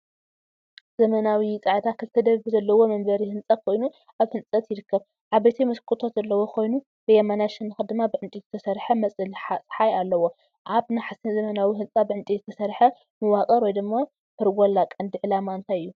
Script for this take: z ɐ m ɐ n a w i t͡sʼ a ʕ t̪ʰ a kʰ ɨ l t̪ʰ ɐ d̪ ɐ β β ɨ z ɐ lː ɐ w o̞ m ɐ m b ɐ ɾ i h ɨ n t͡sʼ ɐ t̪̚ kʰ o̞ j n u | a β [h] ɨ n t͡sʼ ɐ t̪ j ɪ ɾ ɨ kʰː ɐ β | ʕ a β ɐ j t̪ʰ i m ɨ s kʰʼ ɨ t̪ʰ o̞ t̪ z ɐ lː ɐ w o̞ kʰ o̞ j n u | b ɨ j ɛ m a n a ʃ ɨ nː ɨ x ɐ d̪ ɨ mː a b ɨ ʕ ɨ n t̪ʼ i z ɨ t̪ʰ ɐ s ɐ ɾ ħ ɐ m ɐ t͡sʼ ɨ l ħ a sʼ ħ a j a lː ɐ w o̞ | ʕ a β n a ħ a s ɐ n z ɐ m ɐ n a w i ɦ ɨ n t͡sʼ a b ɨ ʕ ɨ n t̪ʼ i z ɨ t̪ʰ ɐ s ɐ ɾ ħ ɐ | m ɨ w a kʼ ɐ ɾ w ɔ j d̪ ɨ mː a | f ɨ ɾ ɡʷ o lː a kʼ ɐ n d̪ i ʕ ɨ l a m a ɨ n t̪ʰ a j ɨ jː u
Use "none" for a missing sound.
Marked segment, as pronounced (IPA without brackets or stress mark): h